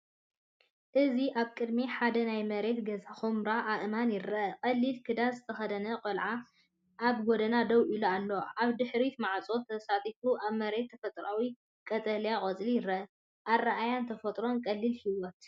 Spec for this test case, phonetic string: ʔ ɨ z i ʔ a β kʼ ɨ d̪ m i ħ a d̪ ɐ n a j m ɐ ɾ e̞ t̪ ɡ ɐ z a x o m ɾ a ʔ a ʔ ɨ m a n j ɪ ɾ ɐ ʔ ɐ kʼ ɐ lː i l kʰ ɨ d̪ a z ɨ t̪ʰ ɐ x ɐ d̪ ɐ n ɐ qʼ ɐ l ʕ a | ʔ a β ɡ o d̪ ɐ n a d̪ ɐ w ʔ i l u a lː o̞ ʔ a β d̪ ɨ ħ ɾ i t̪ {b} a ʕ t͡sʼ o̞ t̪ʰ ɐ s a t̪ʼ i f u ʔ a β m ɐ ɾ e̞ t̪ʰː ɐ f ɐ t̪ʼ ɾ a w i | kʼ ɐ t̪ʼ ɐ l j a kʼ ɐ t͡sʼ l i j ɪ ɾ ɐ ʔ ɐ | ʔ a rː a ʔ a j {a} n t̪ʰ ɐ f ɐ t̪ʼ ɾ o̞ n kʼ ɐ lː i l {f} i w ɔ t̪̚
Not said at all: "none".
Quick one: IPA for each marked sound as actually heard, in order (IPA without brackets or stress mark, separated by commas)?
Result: m, a, h